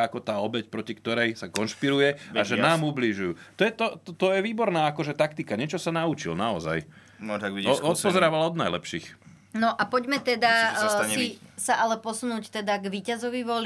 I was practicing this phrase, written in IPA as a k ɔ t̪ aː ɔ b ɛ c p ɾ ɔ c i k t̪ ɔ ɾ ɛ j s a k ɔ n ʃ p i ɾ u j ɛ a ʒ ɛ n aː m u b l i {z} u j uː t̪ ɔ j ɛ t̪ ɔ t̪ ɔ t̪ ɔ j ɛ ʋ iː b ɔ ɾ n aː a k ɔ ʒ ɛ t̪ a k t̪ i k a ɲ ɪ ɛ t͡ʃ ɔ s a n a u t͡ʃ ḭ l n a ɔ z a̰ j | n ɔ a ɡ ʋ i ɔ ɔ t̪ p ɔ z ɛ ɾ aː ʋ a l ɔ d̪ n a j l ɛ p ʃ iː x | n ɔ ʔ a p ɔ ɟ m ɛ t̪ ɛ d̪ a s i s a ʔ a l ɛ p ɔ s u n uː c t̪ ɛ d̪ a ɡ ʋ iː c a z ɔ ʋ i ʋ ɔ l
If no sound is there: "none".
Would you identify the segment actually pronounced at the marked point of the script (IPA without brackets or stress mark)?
ʒ